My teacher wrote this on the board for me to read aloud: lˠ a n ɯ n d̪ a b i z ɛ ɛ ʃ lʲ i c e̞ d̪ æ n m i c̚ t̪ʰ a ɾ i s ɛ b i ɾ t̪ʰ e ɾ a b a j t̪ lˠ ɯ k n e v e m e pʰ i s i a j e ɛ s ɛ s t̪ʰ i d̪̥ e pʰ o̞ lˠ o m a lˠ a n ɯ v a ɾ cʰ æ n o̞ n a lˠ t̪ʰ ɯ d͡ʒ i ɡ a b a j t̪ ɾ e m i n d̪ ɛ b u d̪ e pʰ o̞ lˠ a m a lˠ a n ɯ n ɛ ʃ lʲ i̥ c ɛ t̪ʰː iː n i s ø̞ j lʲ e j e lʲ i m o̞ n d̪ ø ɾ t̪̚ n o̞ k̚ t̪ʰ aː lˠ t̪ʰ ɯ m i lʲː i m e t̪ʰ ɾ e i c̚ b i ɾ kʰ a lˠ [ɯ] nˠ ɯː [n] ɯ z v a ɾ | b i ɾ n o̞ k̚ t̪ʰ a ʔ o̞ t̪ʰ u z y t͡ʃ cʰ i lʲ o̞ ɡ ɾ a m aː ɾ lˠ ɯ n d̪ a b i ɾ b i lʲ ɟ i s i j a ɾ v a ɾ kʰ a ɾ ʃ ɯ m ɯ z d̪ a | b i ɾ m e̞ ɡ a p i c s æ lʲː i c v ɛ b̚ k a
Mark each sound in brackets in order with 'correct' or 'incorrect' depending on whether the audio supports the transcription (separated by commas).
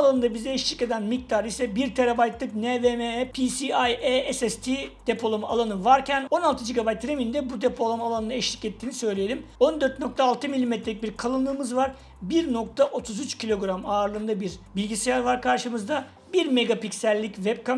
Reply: correct, incorrect